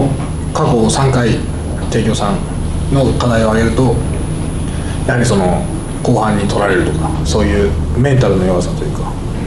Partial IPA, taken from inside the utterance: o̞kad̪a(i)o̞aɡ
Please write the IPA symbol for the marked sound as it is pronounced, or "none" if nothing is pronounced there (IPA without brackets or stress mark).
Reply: i